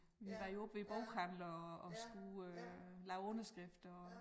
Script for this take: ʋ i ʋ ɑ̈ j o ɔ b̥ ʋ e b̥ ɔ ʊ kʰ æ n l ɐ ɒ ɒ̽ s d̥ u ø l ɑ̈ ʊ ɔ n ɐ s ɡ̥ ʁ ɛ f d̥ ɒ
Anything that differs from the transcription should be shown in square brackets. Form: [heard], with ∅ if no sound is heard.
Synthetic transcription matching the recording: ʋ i ʋ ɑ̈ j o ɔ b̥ ʋ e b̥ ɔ ʊ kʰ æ n l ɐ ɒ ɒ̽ s [ɡ̥] u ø l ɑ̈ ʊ ɔ n ɐ s ɡ̥ ʁ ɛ f d̥ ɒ